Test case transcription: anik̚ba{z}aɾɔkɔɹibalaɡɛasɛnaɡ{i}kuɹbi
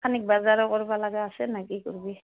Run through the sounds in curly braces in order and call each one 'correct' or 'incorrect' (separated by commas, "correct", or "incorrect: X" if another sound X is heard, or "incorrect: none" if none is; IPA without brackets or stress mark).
correct, correct